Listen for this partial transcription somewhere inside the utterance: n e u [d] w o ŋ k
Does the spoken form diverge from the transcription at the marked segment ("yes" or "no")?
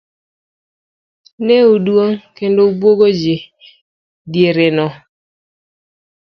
no